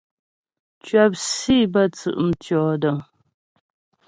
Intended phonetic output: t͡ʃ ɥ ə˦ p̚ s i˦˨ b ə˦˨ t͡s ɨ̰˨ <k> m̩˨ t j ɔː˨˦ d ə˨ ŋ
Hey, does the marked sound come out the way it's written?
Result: no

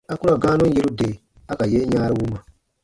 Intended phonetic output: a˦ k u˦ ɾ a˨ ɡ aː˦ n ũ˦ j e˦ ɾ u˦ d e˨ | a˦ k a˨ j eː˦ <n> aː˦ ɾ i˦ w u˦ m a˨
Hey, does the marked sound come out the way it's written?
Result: no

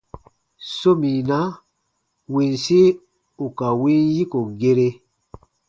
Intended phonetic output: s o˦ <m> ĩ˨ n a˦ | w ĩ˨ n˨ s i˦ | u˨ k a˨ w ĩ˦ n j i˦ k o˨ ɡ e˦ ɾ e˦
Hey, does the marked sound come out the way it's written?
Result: yes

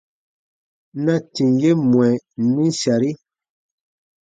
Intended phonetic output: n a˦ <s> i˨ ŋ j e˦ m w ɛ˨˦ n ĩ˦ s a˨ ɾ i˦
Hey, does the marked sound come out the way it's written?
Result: no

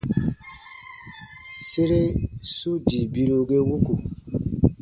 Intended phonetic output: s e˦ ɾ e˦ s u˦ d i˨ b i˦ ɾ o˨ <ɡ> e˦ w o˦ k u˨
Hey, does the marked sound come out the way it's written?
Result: yes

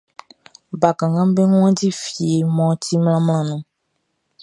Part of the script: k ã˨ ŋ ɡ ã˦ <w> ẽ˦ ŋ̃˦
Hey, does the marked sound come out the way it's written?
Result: no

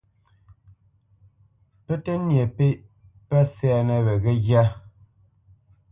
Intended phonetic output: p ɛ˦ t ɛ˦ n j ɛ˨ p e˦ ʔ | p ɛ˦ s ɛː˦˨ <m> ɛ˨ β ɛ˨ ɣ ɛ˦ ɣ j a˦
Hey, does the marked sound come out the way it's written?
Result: no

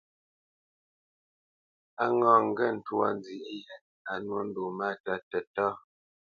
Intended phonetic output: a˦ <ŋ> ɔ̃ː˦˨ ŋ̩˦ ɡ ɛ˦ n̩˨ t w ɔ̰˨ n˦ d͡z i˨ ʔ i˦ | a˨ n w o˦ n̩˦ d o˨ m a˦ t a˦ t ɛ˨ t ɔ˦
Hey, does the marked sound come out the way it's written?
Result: yes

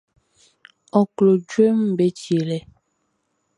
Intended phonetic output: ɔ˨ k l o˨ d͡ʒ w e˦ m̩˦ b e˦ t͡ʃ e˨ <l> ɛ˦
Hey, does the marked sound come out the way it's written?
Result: yes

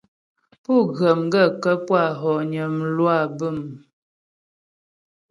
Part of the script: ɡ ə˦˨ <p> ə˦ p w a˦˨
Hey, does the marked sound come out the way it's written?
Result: no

